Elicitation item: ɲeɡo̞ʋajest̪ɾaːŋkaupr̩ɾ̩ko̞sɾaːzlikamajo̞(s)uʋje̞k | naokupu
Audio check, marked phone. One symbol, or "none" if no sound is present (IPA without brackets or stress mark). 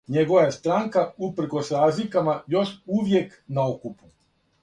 ʃ